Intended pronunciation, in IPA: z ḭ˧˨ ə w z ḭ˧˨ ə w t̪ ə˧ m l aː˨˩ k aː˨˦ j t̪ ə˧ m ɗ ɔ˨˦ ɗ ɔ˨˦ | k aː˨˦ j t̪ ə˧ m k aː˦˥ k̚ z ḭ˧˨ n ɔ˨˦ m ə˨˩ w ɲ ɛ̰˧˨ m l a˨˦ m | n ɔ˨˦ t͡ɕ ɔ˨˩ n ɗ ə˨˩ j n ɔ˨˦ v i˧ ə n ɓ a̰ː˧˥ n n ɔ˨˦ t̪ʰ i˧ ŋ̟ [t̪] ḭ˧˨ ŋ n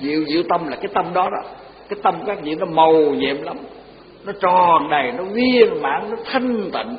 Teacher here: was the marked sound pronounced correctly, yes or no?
yes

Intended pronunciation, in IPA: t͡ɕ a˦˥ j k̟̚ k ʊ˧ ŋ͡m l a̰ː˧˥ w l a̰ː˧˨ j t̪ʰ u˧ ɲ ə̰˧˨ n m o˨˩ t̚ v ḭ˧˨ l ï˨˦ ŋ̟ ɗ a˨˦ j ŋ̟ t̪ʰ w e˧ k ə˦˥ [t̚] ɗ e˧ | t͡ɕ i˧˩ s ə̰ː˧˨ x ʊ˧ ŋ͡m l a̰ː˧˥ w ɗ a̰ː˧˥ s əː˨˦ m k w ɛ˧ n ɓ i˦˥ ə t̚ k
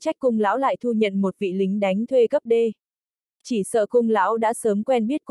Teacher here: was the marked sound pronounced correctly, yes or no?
no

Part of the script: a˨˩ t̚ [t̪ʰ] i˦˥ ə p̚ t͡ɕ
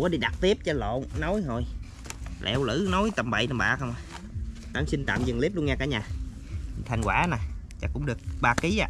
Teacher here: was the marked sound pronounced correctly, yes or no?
no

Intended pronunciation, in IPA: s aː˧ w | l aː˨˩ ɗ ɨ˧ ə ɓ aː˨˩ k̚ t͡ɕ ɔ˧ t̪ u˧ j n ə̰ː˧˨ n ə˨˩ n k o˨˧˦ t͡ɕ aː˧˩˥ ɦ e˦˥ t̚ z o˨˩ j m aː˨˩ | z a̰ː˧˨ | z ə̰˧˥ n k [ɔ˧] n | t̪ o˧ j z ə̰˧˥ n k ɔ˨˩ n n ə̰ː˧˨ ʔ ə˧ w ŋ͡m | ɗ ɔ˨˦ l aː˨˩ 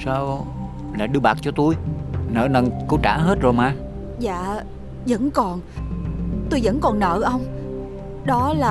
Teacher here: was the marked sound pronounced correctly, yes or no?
no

